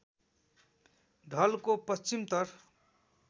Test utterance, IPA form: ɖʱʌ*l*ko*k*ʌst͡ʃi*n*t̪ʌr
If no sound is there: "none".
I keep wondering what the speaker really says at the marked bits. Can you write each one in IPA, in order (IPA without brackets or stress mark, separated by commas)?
l, p, m